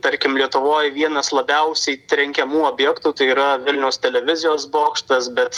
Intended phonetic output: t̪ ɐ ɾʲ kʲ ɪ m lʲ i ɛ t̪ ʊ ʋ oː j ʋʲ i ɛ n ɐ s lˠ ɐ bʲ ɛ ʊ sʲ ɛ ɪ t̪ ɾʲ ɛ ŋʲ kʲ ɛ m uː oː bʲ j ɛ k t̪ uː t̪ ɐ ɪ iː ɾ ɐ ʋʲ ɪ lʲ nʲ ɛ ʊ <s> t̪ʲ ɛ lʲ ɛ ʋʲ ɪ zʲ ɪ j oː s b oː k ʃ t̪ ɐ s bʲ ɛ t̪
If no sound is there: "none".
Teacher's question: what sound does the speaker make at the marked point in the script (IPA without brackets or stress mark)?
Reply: s